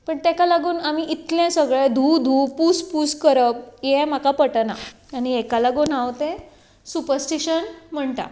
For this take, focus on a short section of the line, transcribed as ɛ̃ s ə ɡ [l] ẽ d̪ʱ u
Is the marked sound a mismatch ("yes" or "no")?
yes